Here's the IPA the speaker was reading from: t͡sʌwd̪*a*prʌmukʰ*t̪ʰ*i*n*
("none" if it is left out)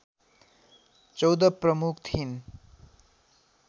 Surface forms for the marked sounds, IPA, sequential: ʌ, t̪ʰ, n

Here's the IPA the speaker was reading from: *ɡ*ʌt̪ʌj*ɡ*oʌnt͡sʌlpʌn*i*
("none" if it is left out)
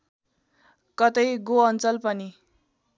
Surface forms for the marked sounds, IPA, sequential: k, ɡ, i

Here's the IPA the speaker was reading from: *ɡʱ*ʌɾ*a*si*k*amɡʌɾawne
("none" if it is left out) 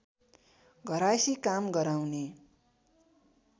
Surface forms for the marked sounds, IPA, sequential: ɡʱ, a, k

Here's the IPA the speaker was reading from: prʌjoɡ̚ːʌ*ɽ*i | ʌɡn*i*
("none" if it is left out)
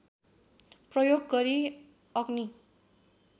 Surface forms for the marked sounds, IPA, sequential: ɾ, i

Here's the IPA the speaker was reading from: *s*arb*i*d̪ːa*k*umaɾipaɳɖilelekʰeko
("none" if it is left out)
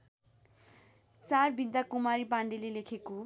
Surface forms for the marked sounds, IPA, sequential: t͡s, i, k

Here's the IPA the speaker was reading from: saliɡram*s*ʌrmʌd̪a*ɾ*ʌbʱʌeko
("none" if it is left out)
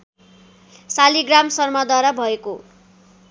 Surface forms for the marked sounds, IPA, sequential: s, ɾ

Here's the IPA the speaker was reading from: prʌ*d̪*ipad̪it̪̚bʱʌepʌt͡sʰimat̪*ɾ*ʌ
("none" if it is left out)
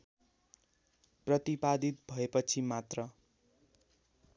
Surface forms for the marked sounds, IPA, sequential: t̪, r

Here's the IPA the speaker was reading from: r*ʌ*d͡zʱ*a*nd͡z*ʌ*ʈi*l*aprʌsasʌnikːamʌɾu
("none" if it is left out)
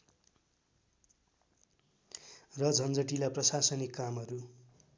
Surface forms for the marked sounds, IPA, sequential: ʌ, ʌ, ʌ, l

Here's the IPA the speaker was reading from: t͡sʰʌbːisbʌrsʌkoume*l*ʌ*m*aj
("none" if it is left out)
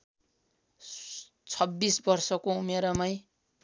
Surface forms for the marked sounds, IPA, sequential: ɾ, m

